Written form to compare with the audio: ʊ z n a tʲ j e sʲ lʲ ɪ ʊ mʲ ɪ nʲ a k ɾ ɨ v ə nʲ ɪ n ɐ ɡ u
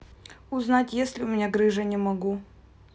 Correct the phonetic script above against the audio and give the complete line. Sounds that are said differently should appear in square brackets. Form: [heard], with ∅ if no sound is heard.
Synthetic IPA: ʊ z n a tʲ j e sʲ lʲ ɪ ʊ mʲ ɪ nʲ a [ɡ] ɾ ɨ [ʐ] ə nʲ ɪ [m] ɐ ɡ u

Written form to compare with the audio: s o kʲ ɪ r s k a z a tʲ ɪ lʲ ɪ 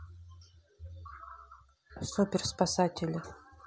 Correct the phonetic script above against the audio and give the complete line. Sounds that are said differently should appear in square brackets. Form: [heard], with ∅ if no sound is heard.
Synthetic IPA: s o [pʲ] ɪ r s [p] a [s] a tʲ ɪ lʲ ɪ

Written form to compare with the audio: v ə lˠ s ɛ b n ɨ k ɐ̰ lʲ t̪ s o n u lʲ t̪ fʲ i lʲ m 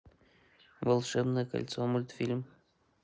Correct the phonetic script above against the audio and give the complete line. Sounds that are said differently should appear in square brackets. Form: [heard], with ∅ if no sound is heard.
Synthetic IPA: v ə lˠ [ʂ] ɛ b n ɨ k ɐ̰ lʲ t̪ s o [m] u lʲ t̪ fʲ i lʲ m

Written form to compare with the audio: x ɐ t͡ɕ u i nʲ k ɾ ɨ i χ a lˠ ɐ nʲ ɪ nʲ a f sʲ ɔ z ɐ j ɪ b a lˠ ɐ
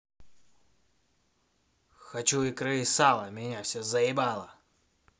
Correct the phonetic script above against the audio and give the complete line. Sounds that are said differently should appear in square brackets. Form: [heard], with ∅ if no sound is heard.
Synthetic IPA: x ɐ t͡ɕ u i [∅] k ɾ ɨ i [s] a lˠ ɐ [mʲ] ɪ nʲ a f sʲ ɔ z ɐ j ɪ b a lˠ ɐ

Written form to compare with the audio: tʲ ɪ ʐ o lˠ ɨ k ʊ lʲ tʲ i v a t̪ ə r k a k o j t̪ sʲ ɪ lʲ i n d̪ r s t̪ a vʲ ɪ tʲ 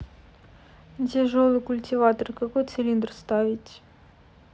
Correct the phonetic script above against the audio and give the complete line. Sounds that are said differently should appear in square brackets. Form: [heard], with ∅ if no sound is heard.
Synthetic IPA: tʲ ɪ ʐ o lˠ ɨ k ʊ lʲ tʲ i v a t̪ ə r k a k o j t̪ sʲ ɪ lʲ i n d̪ r s t̪ a vʲ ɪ tʲ

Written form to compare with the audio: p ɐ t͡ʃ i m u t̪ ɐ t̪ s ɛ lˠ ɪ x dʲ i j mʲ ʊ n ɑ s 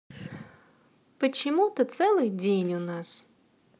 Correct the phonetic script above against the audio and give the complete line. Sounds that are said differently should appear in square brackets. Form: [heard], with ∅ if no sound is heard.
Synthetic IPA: p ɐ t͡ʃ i m u t̪ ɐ t̪ s ɛ lˠ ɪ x dʲ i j [nʲ] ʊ n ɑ s

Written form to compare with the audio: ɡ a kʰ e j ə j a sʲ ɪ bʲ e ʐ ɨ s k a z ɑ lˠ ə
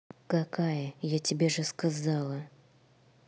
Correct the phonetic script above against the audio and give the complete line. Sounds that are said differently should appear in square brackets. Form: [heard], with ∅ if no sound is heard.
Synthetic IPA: [k] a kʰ [a] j ə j a [tʲ] ɪ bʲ e ʐ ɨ s k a z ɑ lˠ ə

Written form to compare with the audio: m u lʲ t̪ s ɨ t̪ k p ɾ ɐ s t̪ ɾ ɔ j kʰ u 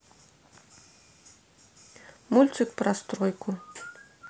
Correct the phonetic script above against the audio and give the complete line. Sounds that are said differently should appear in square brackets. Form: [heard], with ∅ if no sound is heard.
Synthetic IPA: m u lʲ t̪ s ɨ [∅] k p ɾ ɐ s t̪ ɾ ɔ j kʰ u

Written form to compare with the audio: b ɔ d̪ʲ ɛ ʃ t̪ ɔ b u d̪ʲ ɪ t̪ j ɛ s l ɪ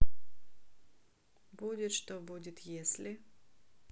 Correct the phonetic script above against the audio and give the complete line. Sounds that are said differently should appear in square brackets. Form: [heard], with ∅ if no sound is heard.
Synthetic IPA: b [u] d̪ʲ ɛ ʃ t̪ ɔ b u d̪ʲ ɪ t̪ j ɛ s l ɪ

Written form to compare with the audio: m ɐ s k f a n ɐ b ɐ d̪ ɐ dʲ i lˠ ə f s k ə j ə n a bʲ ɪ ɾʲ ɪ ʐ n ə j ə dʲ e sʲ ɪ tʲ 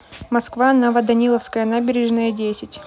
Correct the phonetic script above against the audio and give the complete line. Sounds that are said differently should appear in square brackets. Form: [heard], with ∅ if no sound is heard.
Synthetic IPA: m ɐ s k [v] a n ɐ [v] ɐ d̪ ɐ [nʲ] i lˠ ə f s k ə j ə n a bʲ ɪ ɾʲ ɪ ʐ n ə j ə dʲ e sʲ ɪ tʲ

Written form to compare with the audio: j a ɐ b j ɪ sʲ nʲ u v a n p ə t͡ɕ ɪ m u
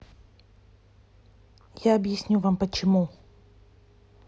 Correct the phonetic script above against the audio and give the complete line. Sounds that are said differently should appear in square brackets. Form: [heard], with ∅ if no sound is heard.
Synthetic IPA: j a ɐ b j ɪ sʲ nʲ u v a [m] p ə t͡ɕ ɪ m u

